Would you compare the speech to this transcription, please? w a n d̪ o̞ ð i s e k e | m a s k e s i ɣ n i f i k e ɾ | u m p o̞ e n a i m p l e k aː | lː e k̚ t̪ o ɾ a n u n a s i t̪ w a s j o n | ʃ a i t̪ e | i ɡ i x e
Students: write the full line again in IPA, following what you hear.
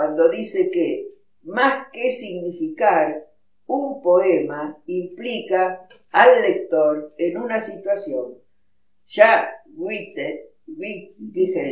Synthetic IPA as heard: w a n d̪ o̞ ð i s e k e | m a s k e s i ɣ n i f i k a ɾ | u m p o̞ e m a i m p l i k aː | lː e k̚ t̪ o ɾ e n u n a s i t̪ w a s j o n | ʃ a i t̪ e | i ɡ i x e